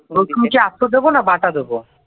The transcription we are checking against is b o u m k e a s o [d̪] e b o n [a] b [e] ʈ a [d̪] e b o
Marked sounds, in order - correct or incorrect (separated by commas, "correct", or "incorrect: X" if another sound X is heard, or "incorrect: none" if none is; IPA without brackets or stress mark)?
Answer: correct, correct, incorrect: a, correct